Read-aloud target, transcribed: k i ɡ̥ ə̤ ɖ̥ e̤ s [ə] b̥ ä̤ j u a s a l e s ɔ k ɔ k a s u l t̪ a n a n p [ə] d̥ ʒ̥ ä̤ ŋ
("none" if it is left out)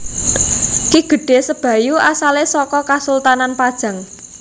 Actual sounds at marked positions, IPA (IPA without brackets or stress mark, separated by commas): ə, a